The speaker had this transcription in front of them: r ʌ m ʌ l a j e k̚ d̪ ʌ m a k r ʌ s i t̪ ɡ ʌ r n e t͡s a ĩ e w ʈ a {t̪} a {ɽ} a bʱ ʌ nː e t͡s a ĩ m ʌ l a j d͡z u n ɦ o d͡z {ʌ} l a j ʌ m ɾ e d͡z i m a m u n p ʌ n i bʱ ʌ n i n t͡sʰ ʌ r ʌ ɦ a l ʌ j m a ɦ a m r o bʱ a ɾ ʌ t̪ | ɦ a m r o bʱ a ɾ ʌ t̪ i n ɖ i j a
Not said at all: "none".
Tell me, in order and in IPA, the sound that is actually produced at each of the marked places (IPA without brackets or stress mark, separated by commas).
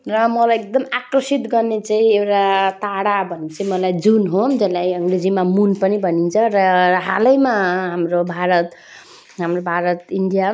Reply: t̪, ɽ, ʌ